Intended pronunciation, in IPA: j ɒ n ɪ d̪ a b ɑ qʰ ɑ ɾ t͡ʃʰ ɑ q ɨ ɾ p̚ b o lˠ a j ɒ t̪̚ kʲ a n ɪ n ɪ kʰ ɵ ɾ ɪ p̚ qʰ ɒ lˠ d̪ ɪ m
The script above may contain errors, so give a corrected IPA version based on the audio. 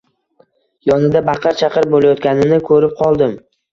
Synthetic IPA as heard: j ɒ n ɪ d̪ a b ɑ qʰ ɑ ɾ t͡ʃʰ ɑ q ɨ ɾ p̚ b o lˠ a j ɒ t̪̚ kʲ a n ɪ n ɪ kʰ ɵ ɾ ɪ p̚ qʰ ɒ lˠ d̪ ɪ m